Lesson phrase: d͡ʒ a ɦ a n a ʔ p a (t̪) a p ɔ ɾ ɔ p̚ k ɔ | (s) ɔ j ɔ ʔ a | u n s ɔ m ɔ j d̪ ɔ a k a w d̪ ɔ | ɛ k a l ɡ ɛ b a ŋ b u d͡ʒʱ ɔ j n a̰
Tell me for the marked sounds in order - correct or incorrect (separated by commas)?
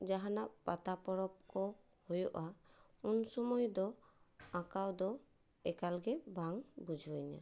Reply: correct, incorrect